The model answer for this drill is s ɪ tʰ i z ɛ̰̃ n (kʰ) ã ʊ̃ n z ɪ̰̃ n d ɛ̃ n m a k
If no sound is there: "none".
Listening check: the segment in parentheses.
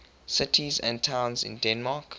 tʰ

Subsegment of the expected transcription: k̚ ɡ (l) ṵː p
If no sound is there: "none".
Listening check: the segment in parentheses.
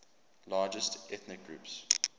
ɹ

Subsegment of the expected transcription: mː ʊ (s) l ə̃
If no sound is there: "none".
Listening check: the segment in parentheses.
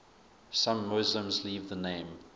z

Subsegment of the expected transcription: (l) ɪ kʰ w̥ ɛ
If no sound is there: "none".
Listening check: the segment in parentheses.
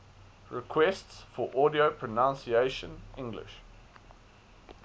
ɹ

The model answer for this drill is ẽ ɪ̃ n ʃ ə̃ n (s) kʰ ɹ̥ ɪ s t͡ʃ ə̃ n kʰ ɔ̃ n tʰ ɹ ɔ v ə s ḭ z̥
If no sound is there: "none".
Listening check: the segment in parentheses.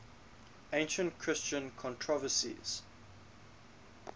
t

